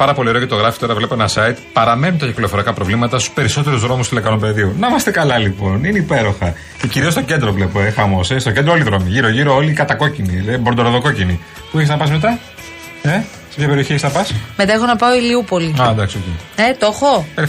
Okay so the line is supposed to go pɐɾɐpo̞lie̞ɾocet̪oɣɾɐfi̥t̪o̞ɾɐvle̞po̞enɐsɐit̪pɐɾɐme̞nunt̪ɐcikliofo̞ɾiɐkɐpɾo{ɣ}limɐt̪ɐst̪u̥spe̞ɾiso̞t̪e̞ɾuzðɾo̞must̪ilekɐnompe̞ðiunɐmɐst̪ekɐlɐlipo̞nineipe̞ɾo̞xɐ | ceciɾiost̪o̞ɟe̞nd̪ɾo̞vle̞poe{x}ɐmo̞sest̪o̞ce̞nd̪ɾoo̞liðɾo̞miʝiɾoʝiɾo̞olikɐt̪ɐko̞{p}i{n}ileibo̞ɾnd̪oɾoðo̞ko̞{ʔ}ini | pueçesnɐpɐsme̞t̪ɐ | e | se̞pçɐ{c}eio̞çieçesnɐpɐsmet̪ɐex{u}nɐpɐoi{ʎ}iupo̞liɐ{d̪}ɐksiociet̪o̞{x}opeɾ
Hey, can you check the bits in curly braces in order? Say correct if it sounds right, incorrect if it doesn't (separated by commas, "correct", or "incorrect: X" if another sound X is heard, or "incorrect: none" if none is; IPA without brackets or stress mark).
incorrect: v, correct, incorrect: c, correct, incorrect: c, incorrect: p, incorrect: o, incorrect: l, correct, correct